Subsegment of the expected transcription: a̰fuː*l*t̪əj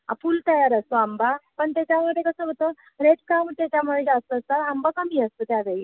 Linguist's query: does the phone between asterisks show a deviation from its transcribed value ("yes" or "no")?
no